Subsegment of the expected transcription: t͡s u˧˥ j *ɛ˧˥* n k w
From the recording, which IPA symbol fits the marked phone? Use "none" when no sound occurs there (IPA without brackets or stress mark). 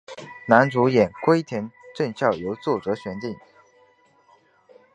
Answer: ɛ˨˩